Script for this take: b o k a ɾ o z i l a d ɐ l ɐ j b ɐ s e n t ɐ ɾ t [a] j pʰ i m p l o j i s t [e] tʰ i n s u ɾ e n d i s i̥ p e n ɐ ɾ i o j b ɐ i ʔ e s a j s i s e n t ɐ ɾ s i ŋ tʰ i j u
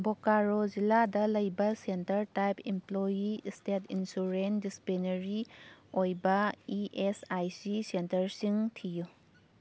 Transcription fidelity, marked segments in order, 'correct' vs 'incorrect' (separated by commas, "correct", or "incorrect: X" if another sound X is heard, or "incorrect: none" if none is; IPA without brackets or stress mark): correct, correct